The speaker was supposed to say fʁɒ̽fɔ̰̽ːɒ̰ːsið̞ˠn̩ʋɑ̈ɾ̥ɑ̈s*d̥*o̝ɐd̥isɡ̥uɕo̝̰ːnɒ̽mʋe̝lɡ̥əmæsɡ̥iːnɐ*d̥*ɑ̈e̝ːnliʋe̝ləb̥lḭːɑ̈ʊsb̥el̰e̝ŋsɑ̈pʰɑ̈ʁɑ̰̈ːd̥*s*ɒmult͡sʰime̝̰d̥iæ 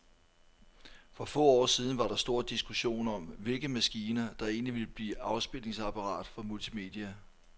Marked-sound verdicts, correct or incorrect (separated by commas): correct, correct, incorrect